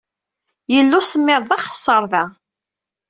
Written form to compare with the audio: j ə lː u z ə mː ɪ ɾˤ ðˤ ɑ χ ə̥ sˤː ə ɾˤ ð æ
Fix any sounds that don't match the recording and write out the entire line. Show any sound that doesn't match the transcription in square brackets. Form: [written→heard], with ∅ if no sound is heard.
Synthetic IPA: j ə lː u [z→s] ə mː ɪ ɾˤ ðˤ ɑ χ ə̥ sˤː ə ɾˤ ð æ